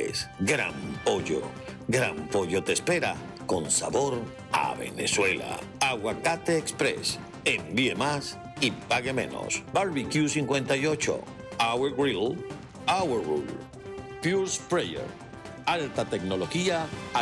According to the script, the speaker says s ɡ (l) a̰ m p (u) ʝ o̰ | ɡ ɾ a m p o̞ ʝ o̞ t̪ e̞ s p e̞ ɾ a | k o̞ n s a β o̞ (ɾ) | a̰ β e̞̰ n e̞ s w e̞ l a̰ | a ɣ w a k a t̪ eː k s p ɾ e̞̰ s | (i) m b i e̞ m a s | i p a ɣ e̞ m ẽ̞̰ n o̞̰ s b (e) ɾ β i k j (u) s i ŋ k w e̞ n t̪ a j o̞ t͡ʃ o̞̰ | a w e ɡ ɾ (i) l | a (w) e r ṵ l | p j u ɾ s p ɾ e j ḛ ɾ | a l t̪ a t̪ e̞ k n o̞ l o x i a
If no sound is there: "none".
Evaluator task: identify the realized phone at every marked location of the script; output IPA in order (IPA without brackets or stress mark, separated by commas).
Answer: ɾ, o, ɾ, e, a, u, i, w